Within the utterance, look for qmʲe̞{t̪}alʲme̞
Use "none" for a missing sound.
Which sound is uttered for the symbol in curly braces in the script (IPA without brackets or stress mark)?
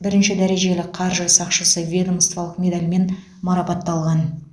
d̪